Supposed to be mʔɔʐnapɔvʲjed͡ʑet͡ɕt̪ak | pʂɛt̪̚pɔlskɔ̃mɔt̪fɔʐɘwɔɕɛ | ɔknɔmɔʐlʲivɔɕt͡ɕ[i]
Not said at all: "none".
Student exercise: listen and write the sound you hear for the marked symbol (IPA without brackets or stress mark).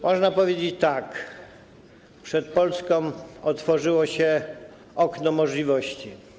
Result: i